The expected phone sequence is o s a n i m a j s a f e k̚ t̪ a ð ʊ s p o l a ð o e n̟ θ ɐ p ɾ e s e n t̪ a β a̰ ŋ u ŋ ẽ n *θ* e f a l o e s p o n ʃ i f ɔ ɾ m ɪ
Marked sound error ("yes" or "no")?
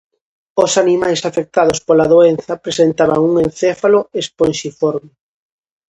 no